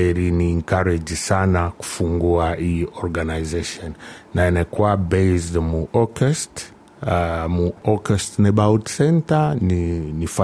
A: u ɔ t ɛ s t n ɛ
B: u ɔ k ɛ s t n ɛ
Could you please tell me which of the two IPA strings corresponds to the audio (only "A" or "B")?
B